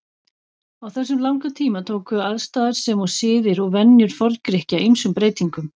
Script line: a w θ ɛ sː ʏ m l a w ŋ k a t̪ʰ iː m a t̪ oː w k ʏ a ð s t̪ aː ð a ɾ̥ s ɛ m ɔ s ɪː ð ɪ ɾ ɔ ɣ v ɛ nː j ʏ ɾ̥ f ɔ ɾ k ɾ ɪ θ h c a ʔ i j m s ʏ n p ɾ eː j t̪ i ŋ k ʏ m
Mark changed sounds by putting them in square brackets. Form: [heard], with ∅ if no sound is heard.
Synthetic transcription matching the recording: a w θ ɛ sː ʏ m l a w ŋ k a t̪ʰ iː m a [t̪ʰ] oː w k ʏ a ð s t̪ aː ð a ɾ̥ s ɛ m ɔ s ɪː ð ɪ ɾ ɔ ɣ v ɛ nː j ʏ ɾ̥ f ɔ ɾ k ɾ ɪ [∅] h c a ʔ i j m s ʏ [m] p ɾ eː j t̪ i ŋ k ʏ m